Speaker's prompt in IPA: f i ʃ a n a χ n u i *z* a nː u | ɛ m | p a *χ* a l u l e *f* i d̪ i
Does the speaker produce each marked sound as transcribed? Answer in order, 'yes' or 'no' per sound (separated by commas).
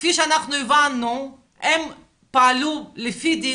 no, no, yes